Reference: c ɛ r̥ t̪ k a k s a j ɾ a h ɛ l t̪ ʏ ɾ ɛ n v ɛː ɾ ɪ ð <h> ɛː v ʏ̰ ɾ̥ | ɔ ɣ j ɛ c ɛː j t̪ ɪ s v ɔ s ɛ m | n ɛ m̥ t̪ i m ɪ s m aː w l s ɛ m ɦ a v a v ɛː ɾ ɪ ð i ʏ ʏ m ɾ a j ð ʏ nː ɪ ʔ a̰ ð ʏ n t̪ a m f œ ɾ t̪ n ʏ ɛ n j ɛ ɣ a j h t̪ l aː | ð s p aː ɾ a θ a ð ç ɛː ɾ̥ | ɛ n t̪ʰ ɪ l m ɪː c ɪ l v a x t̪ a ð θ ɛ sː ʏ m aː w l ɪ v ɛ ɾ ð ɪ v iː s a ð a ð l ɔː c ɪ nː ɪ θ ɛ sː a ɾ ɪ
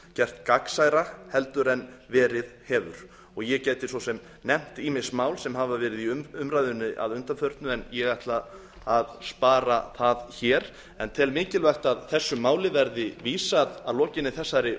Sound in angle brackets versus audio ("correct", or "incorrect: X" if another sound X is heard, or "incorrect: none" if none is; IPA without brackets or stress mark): correct